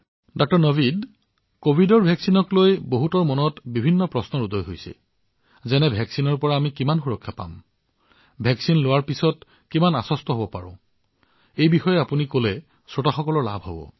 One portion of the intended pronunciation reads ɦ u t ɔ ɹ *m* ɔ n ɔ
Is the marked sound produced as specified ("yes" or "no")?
yes